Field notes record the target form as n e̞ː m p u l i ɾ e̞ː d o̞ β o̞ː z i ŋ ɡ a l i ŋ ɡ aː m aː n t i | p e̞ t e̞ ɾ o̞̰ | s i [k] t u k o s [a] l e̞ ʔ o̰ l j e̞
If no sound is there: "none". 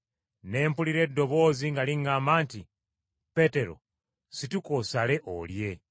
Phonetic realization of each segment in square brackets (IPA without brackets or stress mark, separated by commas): none, a